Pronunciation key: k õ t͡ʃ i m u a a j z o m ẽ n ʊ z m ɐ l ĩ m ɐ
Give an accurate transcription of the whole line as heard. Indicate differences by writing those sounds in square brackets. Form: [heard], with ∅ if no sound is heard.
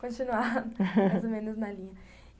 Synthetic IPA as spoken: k õ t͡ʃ i [n] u a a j z o m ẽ n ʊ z [n] ɐ l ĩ [ɲ] ɐ